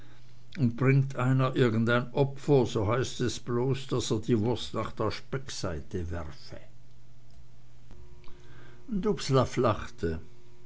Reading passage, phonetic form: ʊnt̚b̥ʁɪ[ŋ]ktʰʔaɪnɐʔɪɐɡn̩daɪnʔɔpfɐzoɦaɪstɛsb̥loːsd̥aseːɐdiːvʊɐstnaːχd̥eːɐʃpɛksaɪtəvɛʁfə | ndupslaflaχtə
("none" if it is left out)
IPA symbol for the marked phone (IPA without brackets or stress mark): ŋ